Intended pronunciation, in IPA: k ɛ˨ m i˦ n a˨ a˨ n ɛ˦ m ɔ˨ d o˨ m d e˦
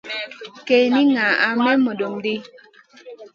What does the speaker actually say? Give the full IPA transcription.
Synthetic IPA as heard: k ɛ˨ n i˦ ŋ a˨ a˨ m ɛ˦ m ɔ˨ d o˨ m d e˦